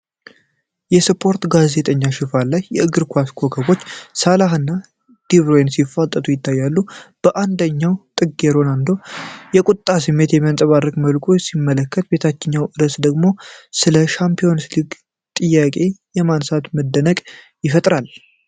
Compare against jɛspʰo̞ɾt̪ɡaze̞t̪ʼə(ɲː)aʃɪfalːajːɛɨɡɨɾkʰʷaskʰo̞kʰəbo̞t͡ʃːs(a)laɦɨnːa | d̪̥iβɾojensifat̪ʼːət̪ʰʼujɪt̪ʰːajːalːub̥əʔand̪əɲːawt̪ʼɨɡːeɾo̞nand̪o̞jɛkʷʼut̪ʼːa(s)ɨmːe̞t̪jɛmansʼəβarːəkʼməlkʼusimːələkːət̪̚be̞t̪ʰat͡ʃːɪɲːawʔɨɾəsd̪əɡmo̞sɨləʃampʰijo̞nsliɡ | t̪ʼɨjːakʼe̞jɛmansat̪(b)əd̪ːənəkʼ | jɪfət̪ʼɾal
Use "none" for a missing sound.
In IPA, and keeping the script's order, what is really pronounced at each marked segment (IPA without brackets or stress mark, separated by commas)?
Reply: ɲː, a, s, m